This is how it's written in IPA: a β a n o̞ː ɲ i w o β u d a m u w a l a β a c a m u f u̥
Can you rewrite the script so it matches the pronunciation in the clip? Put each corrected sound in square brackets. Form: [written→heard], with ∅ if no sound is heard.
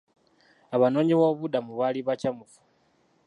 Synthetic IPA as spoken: a β a n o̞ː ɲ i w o β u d a m u [w→β] a l [a→i] β a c a m u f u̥